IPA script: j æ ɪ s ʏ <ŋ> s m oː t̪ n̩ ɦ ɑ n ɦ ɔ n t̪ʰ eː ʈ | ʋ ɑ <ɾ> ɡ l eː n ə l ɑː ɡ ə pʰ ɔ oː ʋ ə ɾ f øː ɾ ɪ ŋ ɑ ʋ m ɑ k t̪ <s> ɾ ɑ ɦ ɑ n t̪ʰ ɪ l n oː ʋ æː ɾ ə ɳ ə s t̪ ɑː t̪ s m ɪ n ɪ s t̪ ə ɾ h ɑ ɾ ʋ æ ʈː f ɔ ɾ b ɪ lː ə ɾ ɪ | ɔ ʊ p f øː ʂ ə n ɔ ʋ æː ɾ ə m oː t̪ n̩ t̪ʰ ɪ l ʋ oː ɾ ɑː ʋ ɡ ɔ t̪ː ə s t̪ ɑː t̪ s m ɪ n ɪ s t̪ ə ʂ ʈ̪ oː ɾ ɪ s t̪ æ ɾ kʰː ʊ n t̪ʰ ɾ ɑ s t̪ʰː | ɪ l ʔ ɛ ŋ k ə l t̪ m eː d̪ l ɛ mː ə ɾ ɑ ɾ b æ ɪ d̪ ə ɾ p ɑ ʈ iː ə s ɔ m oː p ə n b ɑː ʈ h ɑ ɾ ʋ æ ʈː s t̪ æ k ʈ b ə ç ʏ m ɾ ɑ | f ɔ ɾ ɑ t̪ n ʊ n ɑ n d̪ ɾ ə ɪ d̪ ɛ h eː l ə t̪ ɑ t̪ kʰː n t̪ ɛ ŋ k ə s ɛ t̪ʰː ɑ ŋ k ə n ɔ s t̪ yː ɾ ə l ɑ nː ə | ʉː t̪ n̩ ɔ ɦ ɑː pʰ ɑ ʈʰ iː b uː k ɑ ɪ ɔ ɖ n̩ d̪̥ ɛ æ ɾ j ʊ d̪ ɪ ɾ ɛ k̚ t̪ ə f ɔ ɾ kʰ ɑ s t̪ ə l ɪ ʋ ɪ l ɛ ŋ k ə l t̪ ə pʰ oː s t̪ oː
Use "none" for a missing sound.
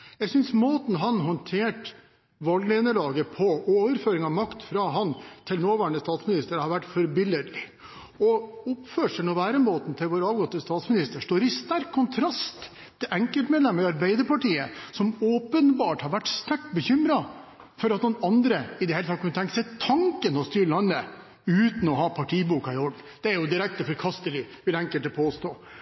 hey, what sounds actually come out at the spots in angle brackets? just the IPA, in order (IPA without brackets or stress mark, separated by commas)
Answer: n, l, f